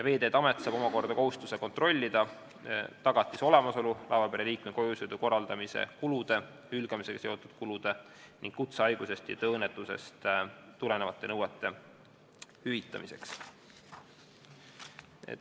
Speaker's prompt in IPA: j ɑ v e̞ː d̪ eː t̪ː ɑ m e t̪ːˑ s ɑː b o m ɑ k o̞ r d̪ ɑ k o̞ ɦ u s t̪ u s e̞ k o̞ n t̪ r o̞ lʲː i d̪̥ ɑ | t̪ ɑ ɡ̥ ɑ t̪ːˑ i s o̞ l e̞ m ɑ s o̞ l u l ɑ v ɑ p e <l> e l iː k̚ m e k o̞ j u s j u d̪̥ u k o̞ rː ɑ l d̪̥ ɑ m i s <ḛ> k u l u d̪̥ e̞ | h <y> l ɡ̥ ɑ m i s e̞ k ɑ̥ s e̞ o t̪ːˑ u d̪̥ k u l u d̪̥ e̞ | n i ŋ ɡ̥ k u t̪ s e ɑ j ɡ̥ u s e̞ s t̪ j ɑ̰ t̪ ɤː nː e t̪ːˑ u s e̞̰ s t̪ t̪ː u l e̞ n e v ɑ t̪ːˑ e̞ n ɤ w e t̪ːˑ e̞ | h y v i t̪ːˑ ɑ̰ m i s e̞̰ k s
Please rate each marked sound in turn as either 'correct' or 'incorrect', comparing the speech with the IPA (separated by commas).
incorrect, correct, correct